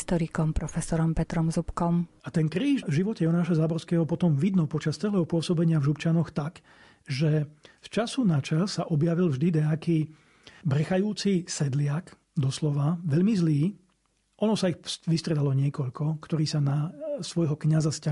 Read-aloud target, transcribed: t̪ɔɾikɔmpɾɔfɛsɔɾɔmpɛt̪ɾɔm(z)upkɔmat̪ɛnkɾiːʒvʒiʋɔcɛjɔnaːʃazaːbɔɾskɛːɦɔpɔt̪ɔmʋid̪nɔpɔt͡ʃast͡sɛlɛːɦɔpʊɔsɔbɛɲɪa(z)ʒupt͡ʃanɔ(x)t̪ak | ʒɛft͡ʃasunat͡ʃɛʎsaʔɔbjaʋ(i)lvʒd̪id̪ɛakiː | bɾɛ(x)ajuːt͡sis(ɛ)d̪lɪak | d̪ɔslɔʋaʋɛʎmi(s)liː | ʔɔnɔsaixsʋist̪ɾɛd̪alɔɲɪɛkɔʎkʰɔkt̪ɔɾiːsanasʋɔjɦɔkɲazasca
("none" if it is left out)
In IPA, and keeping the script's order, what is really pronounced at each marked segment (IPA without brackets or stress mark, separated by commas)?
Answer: z, v, x, i, x, ɛ, z